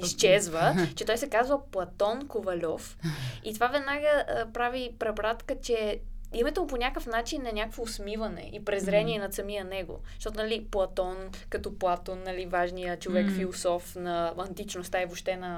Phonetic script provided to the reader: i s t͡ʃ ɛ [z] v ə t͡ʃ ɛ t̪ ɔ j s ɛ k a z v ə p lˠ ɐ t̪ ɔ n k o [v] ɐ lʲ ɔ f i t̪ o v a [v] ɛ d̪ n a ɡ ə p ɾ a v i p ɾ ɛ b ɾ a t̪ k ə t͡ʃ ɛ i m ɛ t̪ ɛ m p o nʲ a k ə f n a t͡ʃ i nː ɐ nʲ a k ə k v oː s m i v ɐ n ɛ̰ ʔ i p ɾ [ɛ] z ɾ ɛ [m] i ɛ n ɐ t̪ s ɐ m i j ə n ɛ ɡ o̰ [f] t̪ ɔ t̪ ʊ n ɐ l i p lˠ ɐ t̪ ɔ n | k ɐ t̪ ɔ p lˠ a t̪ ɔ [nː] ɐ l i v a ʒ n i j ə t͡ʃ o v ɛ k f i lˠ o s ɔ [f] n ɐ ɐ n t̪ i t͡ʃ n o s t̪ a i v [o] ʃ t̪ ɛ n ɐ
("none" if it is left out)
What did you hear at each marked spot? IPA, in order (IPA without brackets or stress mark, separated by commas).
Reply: z, v, v, ɛ, n, ʃ, nː, f, o